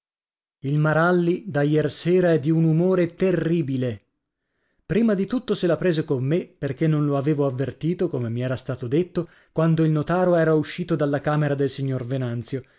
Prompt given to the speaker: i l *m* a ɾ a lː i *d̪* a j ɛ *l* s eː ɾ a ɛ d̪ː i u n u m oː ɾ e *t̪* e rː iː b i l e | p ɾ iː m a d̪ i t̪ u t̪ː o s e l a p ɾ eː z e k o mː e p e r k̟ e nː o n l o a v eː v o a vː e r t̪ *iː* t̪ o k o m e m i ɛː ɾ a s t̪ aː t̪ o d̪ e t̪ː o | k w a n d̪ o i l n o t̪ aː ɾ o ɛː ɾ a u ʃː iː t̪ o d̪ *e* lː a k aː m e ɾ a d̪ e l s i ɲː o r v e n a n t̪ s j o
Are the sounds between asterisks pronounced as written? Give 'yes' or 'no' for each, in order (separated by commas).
yes, yes, no, yes, yes, no